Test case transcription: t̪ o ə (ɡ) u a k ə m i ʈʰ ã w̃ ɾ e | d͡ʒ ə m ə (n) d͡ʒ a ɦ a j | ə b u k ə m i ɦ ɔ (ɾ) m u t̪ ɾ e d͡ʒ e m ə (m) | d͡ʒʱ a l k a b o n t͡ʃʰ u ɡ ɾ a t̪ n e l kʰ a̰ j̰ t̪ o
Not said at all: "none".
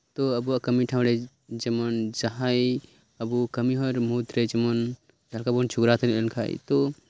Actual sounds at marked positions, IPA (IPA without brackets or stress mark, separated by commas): b, n, ɾ, n